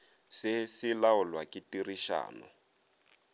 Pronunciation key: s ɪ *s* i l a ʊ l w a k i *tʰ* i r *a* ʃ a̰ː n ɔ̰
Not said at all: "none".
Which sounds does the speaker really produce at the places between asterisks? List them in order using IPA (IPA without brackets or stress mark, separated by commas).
s, t, i